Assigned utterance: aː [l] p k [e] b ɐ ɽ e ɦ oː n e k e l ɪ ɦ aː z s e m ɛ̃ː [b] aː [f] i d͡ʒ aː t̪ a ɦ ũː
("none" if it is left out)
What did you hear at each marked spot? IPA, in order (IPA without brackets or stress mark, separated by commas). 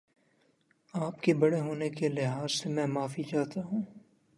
none, e, m, f